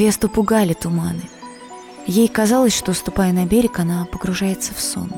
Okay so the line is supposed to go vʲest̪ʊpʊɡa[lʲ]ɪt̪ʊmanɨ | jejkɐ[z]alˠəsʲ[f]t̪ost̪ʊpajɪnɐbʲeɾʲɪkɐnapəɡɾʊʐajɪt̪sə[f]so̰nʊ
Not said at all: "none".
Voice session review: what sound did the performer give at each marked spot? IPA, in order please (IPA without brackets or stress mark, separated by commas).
lʲ, z, ʂ, f